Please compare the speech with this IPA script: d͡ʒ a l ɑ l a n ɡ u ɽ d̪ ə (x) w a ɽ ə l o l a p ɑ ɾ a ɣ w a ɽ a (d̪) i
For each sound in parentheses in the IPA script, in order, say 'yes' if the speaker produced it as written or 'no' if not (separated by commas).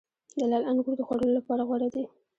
yes, yes